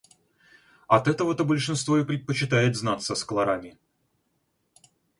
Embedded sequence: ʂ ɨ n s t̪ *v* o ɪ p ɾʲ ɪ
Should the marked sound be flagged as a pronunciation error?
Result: no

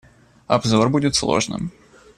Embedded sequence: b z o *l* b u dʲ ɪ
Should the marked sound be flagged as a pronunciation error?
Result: yes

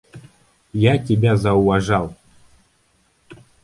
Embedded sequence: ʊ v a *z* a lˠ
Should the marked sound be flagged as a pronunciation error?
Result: yes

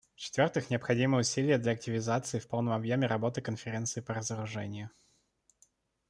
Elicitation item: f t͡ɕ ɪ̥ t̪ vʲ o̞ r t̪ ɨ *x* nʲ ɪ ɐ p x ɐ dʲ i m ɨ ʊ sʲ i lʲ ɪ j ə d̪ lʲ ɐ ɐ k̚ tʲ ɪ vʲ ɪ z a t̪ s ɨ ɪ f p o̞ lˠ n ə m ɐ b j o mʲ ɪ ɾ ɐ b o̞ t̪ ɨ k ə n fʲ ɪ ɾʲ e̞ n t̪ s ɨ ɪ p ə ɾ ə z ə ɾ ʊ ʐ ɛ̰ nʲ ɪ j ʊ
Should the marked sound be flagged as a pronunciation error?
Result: no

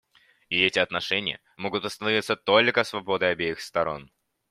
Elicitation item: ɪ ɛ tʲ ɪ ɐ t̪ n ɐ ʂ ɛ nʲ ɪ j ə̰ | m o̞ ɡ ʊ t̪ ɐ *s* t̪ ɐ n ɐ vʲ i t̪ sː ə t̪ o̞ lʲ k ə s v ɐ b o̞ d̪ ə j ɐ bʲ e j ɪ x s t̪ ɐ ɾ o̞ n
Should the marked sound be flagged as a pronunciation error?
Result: no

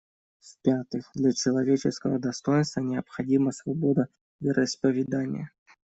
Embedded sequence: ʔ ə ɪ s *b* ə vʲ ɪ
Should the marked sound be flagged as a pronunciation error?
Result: yes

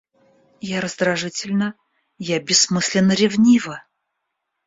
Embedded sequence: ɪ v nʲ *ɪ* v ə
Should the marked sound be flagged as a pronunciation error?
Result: yes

